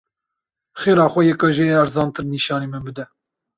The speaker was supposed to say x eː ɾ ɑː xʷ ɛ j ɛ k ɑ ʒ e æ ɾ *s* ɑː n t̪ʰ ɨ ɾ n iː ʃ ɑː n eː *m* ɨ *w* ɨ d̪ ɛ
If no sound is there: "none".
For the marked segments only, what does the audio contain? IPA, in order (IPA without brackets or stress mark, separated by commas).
z, m, b